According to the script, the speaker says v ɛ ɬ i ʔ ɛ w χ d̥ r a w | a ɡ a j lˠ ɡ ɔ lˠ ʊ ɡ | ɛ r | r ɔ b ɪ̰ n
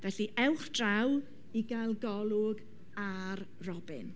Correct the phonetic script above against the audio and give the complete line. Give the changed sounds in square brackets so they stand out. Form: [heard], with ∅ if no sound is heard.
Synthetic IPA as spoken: v ɛ ɬ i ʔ ɛ w χ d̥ r a w | [i] ɡ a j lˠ ɡ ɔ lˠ ʊ ɡ | [a] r | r ɔ b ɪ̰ n

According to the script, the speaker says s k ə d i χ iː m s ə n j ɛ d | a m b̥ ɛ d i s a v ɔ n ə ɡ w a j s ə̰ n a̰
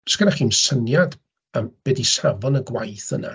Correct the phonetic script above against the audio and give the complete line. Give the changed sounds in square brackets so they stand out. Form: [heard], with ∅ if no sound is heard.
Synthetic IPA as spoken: s k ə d [a] χ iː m s ə n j [a] d | [ə] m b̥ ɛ d i s a v ɔ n ə ɡ w a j [θ] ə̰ n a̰

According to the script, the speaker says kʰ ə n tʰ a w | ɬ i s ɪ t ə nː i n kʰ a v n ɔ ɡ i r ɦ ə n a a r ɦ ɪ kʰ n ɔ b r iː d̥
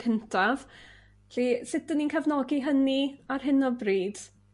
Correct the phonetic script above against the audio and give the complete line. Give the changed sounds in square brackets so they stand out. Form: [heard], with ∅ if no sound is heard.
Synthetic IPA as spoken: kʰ ə n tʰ a [v] | ɬ i s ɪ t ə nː i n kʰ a v n ɔ ɡ i [∅] ɦ ə n [i] a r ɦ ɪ [∅] n ɔ b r iː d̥

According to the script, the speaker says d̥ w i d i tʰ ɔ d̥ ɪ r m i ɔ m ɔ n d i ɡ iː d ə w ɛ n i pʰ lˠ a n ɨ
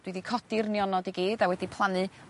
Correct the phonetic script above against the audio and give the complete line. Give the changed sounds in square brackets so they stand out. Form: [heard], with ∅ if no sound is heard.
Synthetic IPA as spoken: d̥ w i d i [kʰ] ɔ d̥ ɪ r [n] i ɔ [n] ɔ [∅] d i ɡ iː d [a] w ɛ [d] i pʰ lˠ a n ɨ

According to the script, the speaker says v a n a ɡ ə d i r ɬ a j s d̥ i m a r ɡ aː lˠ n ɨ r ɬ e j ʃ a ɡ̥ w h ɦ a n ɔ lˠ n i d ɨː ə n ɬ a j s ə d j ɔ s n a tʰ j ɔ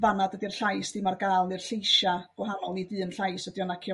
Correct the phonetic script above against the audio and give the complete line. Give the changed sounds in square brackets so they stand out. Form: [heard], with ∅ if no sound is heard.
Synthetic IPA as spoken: v a n a [d] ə d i r ɬ a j s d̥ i m a r ɡ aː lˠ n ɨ r ɬ e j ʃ a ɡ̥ w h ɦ a n ɔ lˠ n i d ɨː ə n ɬ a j s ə d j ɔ [∅] n a [kʰ] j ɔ

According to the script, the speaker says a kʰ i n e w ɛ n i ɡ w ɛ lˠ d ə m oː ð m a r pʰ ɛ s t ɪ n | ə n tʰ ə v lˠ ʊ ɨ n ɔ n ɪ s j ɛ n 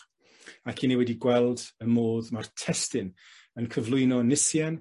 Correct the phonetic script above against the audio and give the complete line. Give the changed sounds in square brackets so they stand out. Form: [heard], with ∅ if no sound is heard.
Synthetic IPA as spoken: a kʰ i n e w ɛ [d] i ɡ w ɛ lˠ d ə m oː ð m a r [tʰ] ɛ s t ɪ n | ə n [kʰ] ə v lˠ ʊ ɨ n ɔ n ɪ s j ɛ n

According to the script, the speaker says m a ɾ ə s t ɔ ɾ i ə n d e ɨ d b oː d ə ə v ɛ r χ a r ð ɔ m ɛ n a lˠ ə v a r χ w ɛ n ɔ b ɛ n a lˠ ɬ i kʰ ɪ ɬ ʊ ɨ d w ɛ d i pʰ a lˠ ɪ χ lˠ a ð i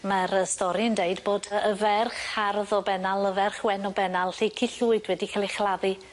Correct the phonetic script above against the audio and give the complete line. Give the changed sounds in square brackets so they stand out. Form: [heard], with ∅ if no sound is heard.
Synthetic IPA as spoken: m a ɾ ə s t ɔ ɾ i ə n d e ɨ d b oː d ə ə v ɛ r χ a r ð ɔ [b] ɛ n a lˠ ə v [ɛ] r χ w ɛ n ɔ b ɛ n a lˠ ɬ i kʰ ɪ ɬ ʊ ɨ d w ɛ d i [kʰ] a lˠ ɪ χ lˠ a ð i

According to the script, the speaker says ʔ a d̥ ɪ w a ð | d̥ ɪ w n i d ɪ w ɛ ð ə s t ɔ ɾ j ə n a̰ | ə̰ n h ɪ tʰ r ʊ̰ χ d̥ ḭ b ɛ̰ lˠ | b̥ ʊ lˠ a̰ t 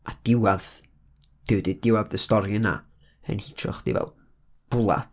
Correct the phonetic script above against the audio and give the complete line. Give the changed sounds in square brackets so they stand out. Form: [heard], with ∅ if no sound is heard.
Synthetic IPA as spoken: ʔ a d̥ ɪ w a ð | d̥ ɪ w [d] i d ɪ w [a] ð ə s t ɔ ɾ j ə n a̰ | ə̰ n h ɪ tʰ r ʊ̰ χ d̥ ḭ [v] ɛ̰ lˠ | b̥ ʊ lˠ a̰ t

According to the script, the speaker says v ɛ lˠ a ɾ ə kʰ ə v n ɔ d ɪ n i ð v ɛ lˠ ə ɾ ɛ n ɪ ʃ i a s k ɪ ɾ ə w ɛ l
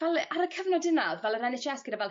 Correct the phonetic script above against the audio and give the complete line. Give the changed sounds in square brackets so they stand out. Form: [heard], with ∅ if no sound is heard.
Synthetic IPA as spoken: v ɛ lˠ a ɾ ə kʰ ə v n ɔ d ɪ n [a] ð v ɛ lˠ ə ɾ ɛ n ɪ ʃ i a s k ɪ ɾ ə [v] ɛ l

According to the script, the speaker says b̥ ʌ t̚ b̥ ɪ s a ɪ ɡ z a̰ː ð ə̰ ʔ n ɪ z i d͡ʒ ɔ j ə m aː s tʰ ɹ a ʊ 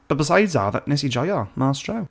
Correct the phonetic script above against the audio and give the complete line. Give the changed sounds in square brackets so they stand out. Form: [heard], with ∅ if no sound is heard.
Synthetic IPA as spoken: b̥ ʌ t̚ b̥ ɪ s a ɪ [d] z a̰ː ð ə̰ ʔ n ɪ [s] i d͡ʒ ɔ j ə m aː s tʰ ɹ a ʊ

